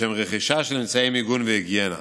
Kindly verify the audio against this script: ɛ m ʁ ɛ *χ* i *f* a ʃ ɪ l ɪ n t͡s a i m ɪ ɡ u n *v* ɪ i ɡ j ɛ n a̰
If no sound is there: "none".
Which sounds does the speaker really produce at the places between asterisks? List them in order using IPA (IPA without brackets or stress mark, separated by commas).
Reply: χ, ʃ, v